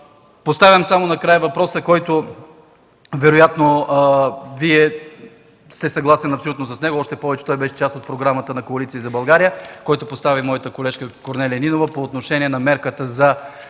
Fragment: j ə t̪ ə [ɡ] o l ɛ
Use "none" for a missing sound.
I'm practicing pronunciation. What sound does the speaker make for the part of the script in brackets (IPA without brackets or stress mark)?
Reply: k